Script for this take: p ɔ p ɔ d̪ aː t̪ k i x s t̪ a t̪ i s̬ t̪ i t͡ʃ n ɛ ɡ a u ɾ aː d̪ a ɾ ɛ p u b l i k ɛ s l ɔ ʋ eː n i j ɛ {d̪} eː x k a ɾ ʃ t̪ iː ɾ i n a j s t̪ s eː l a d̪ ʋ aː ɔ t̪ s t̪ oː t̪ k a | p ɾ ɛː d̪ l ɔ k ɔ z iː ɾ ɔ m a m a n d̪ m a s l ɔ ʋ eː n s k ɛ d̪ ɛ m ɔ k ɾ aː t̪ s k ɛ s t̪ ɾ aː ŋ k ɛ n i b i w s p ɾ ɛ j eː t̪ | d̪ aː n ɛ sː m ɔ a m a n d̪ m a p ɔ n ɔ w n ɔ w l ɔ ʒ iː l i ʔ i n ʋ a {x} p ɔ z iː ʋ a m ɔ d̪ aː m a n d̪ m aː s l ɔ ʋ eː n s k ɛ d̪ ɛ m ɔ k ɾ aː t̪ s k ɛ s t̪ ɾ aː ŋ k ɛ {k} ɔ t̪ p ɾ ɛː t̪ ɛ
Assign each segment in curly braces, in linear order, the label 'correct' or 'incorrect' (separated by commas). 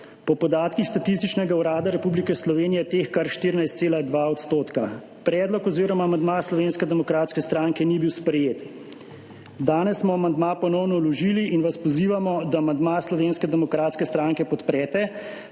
incorrect, incorrect, incorrect